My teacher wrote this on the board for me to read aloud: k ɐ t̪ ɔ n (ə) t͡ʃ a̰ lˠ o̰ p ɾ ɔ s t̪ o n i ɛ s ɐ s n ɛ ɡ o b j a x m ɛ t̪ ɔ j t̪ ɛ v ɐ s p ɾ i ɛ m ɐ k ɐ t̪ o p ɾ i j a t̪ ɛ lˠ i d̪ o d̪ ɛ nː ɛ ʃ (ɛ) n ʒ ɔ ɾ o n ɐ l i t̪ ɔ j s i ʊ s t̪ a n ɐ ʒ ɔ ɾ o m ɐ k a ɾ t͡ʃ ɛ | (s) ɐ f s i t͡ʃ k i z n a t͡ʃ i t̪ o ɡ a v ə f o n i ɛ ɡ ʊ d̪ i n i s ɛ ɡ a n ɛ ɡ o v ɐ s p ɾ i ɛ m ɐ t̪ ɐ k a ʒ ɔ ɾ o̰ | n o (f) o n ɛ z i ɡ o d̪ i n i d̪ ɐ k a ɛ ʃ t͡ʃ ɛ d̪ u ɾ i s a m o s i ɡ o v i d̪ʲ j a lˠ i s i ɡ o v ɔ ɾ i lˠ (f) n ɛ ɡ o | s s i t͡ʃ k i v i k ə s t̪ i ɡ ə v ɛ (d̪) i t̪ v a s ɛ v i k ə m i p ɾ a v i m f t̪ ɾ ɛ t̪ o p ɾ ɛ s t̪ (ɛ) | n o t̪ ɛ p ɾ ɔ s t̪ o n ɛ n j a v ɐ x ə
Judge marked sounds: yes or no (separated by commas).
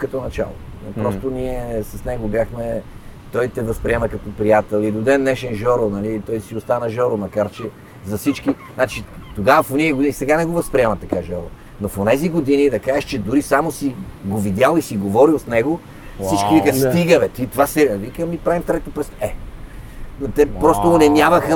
no, yes, no, yes, no, no, yes